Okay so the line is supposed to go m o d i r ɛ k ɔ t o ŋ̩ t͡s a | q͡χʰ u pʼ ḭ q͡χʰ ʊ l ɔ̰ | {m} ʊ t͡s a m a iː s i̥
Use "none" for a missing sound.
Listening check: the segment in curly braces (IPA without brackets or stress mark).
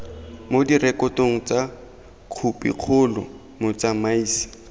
m